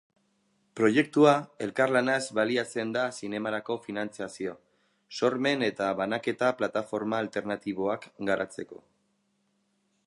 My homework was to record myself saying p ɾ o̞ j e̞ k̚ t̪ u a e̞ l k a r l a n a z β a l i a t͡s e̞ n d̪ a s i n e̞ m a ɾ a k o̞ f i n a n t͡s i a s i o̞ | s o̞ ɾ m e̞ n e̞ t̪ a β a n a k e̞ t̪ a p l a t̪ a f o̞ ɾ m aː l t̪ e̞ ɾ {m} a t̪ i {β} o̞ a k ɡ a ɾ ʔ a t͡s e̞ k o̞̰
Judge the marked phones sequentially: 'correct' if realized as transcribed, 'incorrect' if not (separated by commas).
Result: incorrect, correct